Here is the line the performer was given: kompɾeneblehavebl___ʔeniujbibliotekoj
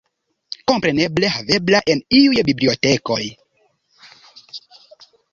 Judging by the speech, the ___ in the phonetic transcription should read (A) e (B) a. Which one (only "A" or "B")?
B